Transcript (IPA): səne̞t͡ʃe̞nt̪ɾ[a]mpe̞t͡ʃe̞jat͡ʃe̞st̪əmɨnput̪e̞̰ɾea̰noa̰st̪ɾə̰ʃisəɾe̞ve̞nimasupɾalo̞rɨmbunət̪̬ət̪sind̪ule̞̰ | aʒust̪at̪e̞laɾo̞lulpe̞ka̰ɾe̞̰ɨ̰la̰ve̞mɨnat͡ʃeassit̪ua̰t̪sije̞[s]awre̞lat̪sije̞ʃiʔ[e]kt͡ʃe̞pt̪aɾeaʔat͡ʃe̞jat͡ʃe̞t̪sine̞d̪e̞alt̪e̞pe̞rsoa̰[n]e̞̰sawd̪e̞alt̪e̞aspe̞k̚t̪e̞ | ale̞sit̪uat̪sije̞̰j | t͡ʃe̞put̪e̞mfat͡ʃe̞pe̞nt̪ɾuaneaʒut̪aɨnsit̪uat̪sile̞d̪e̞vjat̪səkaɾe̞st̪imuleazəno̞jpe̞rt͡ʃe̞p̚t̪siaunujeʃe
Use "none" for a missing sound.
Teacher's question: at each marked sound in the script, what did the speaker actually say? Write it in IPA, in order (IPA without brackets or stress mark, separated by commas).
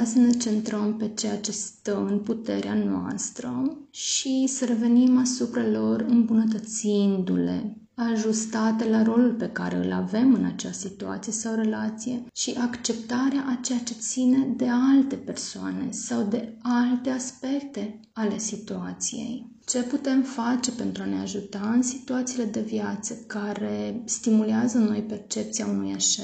ə, s, a, n